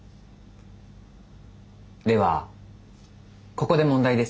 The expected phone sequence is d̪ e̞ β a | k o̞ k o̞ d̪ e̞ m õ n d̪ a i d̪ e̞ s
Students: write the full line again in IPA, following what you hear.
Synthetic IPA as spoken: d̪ e̞ β a | k o̞ k o̞ d̪ e̞ m õ n d̪ a i d̪ e̞ s